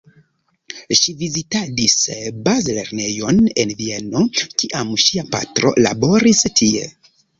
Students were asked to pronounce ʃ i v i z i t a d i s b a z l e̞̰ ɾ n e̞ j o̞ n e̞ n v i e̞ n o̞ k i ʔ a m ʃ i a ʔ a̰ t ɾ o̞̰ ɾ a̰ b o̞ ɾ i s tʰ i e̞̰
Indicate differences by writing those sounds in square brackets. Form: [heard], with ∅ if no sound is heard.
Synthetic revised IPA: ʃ i v i z i t a d i s b a z l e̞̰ ɾ n e̞ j o̞ n e̞ n v i e̞ n o̞ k i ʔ a m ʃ i a [p] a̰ t ɾ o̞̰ [l] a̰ b o̞ ɾ i s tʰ i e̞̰